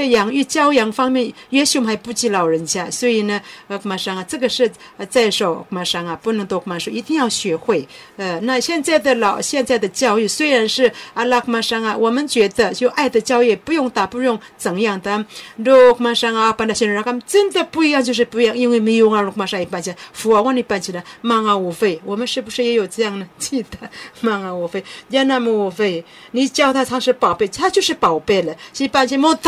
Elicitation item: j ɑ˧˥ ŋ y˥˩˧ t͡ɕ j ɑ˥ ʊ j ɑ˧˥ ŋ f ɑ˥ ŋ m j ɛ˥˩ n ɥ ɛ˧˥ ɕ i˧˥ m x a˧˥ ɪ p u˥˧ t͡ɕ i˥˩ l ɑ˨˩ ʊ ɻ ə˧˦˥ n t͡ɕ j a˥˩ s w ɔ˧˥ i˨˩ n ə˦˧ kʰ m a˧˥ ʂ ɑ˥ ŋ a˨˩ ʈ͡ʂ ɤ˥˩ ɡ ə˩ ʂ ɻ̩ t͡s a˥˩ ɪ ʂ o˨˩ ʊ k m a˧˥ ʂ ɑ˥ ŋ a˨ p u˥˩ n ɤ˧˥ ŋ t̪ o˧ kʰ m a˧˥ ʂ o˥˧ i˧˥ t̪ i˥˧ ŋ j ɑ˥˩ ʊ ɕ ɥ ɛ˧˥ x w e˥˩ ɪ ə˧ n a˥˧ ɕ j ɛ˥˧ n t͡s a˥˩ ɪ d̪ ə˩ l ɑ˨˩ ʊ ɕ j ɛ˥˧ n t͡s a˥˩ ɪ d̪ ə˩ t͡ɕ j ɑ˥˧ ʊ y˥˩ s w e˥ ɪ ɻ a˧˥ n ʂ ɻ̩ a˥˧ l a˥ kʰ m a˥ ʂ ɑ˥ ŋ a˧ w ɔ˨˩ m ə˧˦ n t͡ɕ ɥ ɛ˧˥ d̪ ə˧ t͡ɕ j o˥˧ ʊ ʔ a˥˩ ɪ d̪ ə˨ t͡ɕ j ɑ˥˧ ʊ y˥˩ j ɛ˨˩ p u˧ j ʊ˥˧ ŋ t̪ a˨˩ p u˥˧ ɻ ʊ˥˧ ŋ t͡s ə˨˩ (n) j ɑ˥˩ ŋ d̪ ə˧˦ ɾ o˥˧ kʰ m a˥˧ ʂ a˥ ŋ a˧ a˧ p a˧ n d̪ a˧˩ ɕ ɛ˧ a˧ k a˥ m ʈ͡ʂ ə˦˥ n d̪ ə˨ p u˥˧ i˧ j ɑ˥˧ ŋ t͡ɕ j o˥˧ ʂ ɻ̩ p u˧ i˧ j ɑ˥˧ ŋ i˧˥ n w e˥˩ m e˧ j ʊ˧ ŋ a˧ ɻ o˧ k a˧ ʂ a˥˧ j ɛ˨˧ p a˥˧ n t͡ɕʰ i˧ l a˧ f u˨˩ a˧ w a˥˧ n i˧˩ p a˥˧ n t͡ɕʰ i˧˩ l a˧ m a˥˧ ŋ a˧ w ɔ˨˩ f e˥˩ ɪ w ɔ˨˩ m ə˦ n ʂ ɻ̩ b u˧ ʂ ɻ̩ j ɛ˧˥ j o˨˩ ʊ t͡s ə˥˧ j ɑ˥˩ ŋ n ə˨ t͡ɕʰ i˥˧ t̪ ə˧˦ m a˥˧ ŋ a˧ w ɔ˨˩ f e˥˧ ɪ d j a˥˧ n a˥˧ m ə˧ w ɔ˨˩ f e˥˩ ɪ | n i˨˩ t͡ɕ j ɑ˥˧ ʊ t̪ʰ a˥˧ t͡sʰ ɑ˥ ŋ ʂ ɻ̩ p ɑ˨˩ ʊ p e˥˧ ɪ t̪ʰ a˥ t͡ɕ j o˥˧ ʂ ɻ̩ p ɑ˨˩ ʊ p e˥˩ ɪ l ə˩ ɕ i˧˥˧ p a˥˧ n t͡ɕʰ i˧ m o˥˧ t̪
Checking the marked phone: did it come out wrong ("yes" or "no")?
yes